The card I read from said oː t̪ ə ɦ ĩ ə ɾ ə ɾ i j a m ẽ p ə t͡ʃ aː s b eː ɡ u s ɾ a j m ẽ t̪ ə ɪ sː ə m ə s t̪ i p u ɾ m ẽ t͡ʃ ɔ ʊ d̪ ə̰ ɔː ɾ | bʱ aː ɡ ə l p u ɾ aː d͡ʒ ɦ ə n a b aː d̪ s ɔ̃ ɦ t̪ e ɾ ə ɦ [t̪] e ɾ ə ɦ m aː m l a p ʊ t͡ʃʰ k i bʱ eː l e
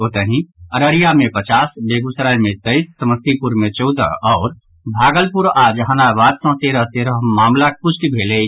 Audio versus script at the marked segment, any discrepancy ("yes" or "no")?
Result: no